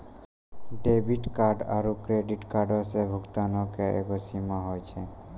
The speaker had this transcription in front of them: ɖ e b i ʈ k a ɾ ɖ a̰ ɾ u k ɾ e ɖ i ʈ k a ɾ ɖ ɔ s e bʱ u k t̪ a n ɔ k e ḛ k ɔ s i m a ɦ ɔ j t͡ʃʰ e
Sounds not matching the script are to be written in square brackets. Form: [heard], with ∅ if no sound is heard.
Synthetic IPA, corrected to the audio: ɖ e b i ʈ k a ɾ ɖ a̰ ɾ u k ɾ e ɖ i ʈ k a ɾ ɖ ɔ s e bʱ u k t̪ a n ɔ k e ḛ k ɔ s i m a ɦ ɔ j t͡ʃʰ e